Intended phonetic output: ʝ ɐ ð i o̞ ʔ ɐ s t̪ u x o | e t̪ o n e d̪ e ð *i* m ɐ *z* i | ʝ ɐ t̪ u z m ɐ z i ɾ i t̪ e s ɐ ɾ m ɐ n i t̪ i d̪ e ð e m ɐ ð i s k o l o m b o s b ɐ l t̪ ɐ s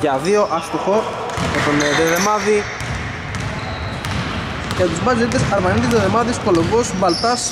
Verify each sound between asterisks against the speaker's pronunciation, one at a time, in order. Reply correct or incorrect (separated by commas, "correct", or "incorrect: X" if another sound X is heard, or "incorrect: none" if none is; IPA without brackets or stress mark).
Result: incorrect: e, incorrect: ð